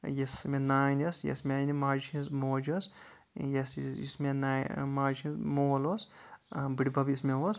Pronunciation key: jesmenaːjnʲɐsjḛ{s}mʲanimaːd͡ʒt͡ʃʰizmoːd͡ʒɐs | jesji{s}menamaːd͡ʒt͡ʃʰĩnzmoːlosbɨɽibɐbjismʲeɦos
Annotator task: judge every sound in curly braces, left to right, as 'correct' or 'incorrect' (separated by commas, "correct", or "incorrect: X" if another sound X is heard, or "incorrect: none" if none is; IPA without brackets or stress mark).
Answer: correct, correct